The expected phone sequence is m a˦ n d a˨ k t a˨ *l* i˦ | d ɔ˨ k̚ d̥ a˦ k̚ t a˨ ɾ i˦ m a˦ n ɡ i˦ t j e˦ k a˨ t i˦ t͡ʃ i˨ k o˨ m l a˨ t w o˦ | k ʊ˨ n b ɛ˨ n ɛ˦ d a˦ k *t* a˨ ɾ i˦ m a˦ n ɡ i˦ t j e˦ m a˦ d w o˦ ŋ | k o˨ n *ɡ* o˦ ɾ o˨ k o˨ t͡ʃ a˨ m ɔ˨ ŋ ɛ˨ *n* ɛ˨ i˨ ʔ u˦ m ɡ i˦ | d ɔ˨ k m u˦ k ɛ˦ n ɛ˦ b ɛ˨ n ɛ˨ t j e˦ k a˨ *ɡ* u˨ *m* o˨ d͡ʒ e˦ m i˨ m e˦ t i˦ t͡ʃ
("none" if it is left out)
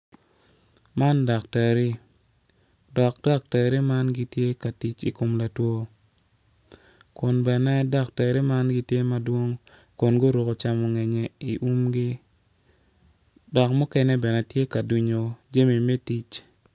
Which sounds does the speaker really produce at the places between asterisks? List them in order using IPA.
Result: ɾ, t, ɡ, ɲ, d, ɲ

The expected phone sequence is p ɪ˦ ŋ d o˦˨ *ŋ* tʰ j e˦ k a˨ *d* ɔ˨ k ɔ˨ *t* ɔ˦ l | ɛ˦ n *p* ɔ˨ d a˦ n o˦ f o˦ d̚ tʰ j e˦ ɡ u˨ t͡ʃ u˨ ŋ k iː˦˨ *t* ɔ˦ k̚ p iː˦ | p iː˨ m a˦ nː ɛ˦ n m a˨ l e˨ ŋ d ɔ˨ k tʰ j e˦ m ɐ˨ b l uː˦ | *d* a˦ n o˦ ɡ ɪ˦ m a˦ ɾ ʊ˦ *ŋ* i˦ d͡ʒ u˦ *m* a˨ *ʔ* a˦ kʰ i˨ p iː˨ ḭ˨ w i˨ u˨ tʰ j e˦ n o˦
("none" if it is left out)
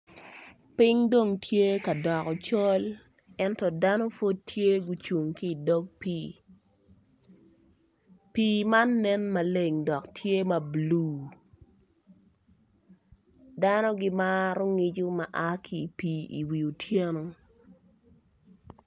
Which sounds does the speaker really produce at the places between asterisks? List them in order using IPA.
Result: ŋ, d, t͡ʃ, t, d, d, ŋ, m, ʔ

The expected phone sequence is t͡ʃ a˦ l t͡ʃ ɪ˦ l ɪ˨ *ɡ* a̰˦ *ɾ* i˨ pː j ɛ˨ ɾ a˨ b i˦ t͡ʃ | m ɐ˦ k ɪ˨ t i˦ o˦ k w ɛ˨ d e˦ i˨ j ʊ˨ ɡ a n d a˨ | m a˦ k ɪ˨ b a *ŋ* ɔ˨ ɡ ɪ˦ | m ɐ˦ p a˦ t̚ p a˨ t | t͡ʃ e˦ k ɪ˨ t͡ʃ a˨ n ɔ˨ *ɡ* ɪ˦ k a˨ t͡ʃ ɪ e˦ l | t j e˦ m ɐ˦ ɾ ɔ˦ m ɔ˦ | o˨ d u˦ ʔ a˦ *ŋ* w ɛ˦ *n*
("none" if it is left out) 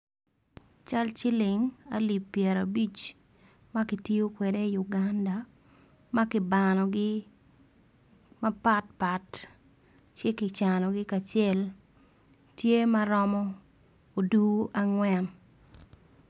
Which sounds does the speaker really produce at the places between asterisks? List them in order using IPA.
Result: ŋ, l, n, ɡ, ŋ, n

